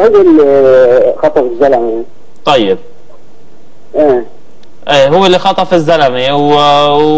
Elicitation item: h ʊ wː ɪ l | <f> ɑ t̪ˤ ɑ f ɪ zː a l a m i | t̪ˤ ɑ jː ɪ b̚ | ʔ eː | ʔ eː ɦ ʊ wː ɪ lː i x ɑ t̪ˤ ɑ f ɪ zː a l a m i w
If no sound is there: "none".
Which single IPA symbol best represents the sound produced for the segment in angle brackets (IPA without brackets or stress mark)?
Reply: x